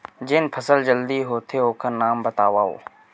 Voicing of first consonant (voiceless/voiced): voiced